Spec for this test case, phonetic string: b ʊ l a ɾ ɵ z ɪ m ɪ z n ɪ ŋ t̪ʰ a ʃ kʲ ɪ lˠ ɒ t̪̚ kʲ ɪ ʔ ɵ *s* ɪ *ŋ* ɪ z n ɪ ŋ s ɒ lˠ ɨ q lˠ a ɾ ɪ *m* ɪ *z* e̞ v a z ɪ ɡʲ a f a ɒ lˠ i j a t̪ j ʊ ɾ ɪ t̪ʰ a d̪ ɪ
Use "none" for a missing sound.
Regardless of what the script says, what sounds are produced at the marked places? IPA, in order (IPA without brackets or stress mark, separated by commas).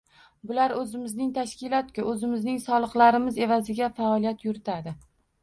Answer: z, m, m, z